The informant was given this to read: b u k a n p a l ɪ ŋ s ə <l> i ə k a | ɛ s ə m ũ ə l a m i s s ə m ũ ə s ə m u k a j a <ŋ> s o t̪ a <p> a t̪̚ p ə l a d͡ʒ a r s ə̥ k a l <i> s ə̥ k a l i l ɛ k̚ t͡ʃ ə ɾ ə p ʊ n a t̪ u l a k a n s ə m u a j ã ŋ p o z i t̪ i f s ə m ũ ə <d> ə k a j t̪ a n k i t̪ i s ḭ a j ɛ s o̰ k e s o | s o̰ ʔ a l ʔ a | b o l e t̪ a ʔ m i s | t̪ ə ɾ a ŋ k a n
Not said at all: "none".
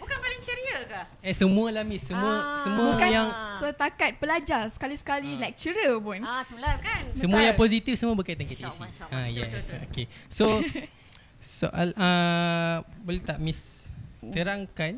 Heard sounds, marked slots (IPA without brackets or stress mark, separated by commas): ɾ, ŋ, k, i, b